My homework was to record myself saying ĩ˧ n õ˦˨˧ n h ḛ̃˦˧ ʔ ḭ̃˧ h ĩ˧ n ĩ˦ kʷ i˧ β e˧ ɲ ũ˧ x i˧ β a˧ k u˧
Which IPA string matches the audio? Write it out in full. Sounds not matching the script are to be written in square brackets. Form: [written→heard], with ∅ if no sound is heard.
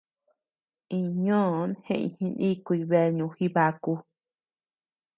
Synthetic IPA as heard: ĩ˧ [n→ɲ] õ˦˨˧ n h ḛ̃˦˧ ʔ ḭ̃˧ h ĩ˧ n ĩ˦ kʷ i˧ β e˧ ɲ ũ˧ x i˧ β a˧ k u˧